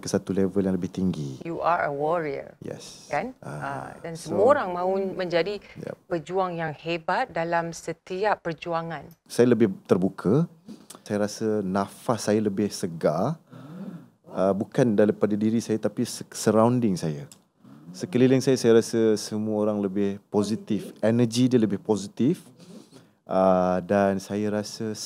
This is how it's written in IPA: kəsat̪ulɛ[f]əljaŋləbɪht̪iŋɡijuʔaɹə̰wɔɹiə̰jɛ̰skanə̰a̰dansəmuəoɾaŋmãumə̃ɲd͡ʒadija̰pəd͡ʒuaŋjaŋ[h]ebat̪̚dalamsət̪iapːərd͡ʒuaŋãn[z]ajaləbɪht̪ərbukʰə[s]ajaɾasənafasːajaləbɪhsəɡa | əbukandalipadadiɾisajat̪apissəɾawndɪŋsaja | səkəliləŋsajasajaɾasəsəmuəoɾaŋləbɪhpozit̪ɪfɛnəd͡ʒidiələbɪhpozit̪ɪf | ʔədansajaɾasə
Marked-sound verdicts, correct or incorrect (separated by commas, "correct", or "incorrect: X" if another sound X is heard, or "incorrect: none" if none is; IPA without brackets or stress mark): incorrect: v, correct, incorrect: s, correct